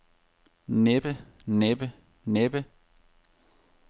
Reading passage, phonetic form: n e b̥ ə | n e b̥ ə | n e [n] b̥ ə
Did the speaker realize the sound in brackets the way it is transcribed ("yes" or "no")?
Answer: no